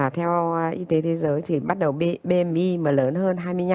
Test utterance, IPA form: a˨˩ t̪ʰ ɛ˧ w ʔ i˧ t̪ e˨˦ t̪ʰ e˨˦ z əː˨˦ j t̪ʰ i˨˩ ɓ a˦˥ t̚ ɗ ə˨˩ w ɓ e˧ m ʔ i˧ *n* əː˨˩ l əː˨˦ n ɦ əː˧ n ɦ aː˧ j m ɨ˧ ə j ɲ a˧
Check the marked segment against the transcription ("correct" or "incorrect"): incorrect